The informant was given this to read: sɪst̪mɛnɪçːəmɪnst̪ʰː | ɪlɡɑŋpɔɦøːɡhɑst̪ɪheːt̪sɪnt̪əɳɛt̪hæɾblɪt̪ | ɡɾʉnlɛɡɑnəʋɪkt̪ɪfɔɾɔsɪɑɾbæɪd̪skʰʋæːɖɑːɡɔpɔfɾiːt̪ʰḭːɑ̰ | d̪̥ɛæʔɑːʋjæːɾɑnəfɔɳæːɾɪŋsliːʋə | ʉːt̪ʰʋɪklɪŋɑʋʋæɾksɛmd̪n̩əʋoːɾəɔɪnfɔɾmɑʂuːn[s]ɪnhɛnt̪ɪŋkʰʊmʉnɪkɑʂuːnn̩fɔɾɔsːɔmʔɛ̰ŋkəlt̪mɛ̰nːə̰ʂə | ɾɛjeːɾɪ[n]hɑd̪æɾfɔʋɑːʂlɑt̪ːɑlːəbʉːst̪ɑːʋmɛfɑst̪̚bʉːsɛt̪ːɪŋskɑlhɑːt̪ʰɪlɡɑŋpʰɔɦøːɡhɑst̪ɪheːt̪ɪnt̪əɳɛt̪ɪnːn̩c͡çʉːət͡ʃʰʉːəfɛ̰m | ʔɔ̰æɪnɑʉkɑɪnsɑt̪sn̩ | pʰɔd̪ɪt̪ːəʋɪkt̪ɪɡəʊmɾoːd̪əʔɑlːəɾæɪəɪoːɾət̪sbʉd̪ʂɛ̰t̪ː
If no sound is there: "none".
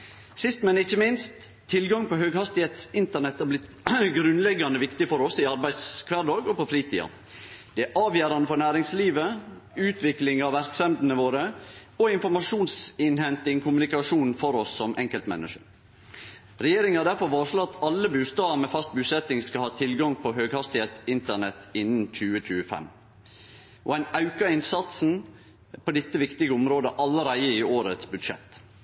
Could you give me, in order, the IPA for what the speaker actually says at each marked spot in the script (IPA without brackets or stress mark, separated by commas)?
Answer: s, ŋ